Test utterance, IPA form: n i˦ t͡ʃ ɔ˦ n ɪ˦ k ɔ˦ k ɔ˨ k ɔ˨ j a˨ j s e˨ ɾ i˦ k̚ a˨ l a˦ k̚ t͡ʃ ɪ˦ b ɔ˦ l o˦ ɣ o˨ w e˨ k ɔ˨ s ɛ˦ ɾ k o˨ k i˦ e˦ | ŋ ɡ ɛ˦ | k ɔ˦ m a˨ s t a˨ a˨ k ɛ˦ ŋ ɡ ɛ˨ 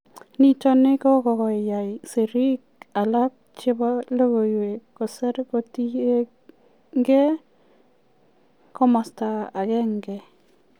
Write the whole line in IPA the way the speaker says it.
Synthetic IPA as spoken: n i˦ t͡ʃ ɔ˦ n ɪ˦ k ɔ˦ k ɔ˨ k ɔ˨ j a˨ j s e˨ ɾ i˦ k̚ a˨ l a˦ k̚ t͡ʃ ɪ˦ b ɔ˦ l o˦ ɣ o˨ w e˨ k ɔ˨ s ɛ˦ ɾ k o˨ t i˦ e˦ | ŋ ɡ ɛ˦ | k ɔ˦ m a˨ s t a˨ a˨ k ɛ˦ ŋ ɡ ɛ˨